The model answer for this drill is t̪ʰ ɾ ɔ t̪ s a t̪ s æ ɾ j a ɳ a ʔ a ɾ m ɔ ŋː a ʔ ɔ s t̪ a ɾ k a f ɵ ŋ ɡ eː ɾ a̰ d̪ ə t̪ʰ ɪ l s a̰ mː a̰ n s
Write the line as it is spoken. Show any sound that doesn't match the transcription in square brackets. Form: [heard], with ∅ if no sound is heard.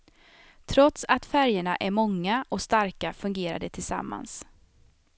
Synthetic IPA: t̪ʰ ɾ ɔ t̪ s a t̪ [f] æ ɾ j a ɳ a ʔ [æ] ɾ m ɔ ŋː a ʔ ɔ s t̪ a ɾ k a f ɵ ŋ ɡ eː ɾ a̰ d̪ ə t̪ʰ ɪ l s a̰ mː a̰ n s